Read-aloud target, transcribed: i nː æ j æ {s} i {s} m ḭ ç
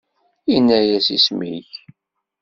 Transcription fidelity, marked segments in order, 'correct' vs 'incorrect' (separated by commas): correct, correct